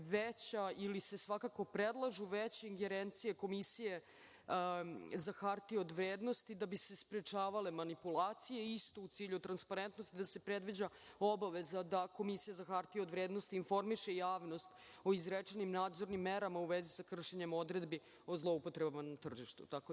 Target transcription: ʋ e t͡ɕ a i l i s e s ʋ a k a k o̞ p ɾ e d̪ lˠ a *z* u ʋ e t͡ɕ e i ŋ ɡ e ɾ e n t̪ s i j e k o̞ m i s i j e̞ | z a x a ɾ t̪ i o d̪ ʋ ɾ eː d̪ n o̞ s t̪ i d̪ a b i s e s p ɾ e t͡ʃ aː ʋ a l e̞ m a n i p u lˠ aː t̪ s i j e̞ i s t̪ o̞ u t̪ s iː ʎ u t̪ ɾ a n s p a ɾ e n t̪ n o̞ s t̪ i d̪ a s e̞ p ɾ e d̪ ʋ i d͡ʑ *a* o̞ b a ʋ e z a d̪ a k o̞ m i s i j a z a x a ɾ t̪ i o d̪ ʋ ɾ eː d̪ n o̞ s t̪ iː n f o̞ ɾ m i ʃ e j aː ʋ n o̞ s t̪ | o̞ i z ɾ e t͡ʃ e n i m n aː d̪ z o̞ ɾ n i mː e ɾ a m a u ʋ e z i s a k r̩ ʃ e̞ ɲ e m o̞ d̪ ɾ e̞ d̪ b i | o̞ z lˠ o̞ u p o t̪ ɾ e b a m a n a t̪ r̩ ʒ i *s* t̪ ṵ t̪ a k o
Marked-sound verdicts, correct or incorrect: incorrect: ʒ, correct, incorrect: ʃ

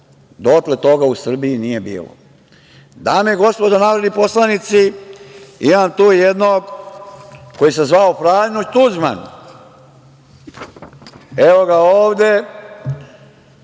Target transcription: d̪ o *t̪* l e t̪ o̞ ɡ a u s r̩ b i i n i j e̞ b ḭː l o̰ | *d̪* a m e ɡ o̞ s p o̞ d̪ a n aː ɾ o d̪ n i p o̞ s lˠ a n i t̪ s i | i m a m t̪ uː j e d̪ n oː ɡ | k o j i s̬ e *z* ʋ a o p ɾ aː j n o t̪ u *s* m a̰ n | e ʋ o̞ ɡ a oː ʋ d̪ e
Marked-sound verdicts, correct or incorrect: correct, correct, correct, incorrect: z

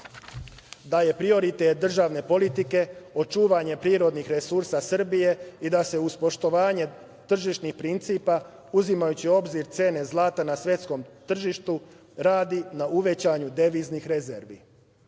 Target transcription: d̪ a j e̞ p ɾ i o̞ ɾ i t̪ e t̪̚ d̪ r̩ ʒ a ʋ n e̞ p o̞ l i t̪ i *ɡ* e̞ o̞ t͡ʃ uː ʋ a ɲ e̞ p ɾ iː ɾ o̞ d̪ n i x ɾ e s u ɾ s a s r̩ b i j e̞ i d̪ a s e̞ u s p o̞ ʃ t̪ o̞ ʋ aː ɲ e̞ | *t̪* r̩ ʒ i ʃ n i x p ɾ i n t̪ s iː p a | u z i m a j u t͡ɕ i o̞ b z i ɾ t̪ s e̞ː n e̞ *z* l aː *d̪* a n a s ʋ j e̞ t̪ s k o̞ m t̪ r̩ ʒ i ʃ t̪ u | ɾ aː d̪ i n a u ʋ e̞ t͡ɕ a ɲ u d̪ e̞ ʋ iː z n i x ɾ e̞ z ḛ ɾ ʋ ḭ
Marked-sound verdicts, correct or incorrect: incorrect: k, correct, correct, incorrect: t̪

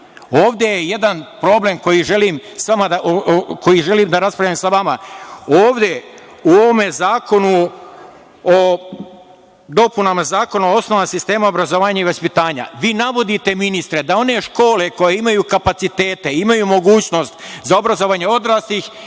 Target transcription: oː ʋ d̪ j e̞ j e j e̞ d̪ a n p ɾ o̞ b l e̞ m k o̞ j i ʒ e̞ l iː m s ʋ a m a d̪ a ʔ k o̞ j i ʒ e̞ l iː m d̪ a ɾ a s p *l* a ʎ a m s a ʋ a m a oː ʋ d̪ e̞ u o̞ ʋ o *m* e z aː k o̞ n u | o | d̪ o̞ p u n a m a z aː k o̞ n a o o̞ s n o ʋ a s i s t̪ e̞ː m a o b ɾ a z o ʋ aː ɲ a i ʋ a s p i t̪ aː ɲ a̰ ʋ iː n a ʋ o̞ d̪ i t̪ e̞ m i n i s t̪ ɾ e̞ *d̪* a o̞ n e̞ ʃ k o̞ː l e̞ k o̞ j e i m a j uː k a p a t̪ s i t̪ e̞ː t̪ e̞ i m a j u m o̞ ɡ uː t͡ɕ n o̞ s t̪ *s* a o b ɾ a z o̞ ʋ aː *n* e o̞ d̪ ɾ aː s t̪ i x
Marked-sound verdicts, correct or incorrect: incorrect: ɾ, correct, correct, incorrect: z, incorrect: ɲ

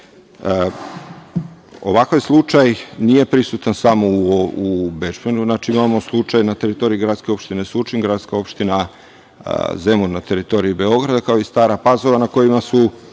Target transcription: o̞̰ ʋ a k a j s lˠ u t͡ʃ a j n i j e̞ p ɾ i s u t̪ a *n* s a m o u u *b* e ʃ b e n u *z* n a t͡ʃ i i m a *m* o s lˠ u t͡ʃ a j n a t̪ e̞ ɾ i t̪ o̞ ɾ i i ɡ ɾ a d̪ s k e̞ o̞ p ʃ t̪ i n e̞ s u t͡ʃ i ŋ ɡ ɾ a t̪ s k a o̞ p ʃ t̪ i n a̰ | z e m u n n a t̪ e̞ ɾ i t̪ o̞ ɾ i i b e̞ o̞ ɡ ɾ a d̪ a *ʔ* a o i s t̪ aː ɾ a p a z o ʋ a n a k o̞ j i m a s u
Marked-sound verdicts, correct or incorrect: correct, correct, correct, correct, incorrect: k

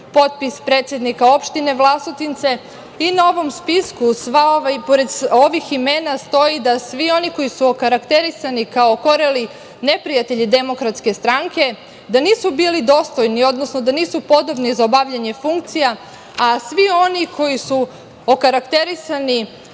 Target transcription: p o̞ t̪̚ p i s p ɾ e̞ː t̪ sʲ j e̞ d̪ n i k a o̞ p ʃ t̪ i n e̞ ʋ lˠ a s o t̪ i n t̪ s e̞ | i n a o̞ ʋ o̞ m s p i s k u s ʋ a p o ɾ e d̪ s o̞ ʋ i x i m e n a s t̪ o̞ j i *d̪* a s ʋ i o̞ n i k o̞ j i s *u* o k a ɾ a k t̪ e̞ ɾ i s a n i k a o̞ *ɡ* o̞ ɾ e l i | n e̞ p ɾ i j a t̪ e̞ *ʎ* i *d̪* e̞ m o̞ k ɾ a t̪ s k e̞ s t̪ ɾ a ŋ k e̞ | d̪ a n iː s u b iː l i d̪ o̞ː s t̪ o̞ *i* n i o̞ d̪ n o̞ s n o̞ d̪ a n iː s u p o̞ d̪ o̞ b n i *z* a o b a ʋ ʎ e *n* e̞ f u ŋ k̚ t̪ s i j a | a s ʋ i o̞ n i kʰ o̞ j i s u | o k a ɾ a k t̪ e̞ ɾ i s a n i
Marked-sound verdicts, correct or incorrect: correct, correct, incorrect: k, correct, correct, incorrect: j, correct, incorrect: ɲ

